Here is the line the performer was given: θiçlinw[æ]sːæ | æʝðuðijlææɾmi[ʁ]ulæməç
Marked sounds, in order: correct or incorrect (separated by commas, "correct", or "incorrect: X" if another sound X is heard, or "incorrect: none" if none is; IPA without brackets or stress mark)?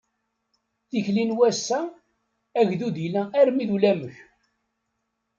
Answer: correct, incorrect: ð